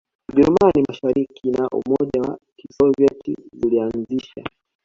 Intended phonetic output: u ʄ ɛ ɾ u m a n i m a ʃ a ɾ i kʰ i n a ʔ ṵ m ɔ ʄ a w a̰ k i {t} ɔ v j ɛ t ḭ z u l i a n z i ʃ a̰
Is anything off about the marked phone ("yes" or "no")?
yes